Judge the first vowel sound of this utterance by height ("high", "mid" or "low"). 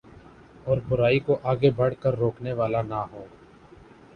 mid